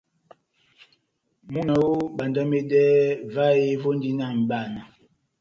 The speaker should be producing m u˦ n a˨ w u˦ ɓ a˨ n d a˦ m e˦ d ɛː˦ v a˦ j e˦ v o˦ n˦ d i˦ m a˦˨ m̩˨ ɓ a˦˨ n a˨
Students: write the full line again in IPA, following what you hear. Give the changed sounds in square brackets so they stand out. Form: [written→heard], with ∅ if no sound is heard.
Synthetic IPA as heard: m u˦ n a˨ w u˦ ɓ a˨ n d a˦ m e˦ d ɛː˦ v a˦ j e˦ v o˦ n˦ d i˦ [m→n] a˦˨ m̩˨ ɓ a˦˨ n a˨